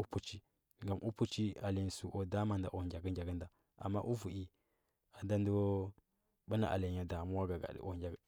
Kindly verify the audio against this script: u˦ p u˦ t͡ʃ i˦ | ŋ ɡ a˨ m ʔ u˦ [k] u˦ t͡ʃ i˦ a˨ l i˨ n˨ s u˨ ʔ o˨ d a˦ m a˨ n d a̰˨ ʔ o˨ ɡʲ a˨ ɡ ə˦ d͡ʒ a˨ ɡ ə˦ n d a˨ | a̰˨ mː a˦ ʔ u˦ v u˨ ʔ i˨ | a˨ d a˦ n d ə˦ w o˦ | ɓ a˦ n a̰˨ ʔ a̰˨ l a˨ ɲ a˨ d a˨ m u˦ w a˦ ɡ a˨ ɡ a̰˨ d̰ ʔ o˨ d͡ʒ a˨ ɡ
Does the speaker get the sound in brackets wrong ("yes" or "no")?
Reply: yes